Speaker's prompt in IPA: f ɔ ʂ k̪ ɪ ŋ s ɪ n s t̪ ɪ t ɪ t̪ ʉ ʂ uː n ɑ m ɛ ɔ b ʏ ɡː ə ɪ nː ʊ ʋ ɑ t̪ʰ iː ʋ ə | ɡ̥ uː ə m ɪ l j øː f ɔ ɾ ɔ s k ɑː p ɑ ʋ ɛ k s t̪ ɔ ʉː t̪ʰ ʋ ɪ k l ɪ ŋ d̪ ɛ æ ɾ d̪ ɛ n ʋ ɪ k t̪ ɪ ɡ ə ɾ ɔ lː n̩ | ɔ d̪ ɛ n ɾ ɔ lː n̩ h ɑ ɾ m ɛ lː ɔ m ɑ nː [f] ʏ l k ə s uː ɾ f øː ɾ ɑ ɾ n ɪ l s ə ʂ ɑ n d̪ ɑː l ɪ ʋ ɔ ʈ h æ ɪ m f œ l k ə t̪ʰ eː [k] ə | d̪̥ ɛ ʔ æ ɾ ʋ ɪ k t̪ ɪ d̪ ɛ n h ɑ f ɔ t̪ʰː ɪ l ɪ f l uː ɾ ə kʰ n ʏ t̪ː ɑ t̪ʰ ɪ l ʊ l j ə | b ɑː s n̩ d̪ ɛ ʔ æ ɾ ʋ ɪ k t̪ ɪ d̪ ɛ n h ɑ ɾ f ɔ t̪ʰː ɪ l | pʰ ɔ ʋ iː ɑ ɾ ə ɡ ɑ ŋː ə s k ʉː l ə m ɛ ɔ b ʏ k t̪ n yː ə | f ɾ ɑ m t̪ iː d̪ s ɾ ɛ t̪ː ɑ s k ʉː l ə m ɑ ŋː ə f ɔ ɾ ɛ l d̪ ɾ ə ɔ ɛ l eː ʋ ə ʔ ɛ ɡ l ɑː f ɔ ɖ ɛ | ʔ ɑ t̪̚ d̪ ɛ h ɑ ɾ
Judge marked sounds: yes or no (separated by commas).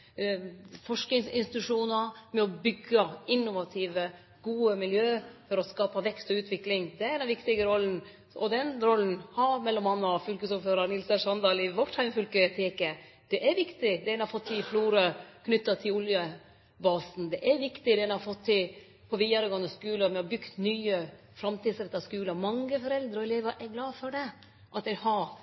yes, yes